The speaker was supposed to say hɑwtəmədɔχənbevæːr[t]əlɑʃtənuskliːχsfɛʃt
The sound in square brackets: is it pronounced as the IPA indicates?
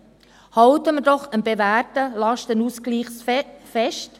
yes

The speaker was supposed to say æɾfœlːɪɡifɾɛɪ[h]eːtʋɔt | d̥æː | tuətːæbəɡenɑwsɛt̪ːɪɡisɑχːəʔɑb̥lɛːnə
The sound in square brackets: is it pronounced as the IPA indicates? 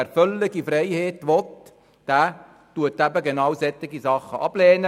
yes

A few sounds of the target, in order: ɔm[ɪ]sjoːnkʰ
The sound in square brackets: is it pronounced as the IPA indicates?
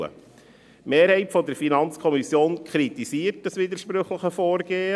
no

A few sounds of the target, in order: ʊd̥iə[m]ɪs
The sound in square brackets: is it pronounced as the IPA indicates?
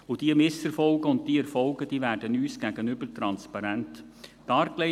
yes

